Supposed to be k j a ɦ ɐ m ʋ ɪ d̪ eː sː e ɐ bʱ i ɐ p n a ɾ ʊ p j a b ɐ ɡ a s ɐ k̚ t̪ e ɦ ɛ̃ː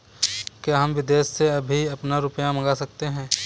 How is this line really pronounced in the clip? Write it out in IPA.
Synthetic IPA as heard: k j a ɦ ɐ m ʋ ɪ d̪ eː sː e ɐ bʱ i ɐ p n a ɾ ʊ p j a m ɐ ɡ a s ɐ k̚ t̪ e ɦ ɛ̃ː